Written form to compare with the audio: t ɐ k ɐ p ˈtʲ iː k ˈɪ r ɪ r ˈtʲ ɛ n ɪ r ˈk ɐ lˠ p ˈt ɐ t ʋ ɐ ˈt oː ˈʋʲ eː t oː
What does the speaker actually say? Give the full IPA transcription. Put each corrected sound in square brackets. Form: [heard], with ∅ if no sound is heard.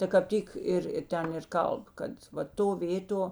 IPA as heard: t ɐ k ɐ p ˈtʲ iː k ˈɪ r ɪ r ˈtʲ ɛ n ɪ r ˈk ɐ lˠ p [ˈk] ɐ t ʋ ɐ ˈt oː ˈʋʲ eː t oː